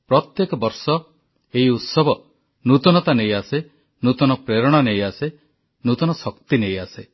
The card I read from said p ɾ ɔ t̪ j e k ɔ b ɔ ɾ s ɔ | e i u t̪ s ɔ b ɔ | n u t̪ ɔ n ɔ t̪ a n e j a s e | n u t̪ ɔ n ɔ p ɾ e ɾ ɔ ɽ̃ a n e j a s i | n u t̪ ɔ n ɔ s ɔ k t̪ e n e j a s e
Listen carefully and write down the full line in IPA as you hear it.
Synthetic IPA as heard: p ɾ ɔ t̪ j e k ɔ b ɔ ɾ s ɔ | e i u t̪ s ɔ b ɔ | n u t̪ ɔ n ɔ t̪ a n e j a s e | n u t̪ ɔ n ɔ p ɾ e ɾ ɔ ɽ̃ a n e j a s e | n u t̪ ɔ n ɔ s ɔ k t̪ i n e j a s e

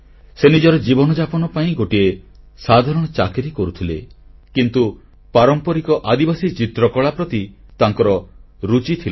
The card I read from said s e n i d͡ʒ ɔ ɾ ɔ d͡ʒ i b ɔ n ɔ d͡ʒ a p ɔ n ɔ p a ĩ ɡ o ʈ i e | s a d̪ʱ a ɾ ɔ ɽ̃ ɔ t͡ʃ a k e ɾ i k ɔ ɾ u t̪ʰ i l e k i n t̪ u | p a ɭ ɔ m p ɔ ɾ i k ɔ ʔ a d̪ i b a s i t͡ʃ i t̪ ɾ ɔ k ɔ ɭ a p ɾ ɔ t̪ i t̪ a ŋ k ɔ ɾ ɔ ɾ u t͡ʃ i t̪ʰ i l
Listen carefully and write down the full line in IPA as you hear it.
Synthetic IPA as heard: s e n i d͡ʒ ɔ ɾ ɔ d͡ʒ i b ɔ n ɔ d͡ʒ a p ɔ n ɔ p a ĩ ɡ o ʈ i e | s a d̪ʱ a ɾ ɔ ɽ̃ ɔ t͡ʃ a k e ɾ i k ɔ ɾ u t̪ʰ i l e k i n t̪ u | p a ɾ ɔ m p ɔ ɾ i k ɔ ʔ a d̪ i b a s i t͡ʃ i t̪ ɾ ɔ k ɔ ɭ a p ɾ ɔ t̪ i t̪ a ŋ k ɔ ɾ ɔ ɾ u t͡ʃ i t̪ʰ i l

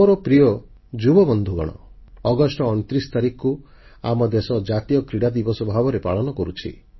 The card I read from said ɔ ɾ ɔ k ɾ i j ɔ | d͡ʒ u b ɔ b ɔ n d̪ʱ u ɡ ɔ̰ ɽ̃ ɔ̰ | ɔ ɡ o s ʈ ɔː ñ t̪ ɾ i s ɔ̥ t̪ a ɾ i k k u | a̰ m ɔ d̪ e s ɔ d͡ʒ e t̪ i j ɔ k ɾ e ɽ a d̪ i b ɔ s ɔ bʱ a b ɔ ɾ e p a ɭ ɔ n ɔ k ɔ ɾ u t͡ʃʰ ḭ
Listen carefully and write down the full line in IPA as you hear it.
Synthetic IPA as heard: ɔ ɾ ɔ p ɾ i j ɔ | d͡ʒ u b ɔ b ɔ n d̪ʱ u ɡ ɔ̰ ɽ̃ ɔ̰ | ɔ ɡ ɔ s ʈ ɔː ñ t̪ ɾ i s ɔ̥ t̪ a ɾ i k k u | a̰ m ɔ d̪ e s ɔ d͡ʒ a t̪ i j ɔ k ɾ i ɽ a d̪ i b ɔ s ɔ bʱ a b ɔ ɾ e p a ɭ ɔ n ɔ k ɔ ɾ u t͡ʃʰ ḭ

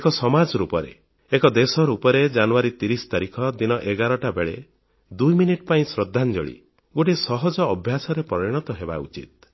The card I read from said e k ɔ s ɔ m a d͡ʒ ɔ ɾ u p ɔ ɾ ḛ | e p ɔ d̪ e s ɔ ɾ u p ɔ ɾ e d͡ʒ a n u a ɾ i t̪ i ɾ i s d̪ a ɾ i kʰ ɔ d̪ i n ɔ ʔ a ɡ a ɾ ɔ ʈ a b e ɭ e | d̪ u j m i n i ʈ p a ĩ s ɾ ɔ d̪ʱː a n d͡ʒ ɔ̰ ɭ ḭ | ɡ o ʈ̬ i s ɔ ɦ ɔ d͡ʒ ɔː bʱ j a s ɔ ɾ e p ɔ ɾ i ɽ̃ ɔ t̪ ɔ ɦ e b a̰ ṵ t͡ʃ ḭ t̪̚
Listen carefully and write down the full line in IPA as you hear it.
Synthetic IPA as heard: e k ɔ s ɔ m a d͡ʒ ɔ ɾ u p ɔ ɾ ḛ | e k ɔ d̪ e s ɔ ɾ u p ɔ ɾ e d͡ʒ a n u a ɾ i t̪ i ɾ i s t̪ a ɾ i kʰ ɔ d̪ i n ɔ ʔ e ɡ a ɾ ɔ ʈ a b e ɭ e | d̪ u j m i n i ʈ p a ĩ s ɾ ɔ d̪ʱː a n d͡ʒ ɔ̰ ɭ ḭ | ɡ o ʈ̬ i s ɔ ɦ ɔ d͡ʒ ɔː bʱ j a s ɔ ɾ e p ɔ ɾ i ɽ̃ ɔ t̪ ɔ ɦ e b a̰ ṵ t͡ʃ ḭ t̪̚

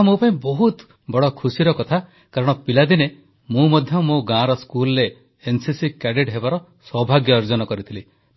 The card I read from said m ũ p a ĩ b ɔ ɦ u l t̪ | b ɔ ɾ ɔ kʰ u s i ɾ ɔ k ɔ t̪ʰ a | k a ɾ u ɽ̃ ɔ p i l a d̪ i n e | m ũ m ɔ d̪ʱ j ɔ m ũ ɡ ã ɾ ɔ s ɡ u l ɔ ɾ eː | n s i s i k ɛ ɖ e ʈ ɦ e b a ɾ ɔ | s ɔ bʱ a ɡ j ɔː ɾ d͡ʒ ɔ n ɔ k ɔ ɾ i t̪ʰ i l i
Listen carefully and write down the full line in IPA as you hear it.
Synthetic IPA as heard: m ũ p a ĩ b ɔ ɦ u t̪ | b ɔ ɽ ɔ kʰ u s i ɾ ɔ k ɔ t̪ʰ a | k a ɾ ɔ ɽ̃ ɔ p i l a d̪ i n e | m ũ m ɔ d̪ʱ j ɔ m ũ ɡ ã ɾ ɔ s k u l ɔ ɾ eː | n s i s i k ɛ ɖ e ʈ ɦ e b a ɾ ɔ | s ɔ bʱ a ɡ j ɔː ɾ d͡ʒ ɔ n ɔ k ɔ ɾ i t̪ʰ i l i

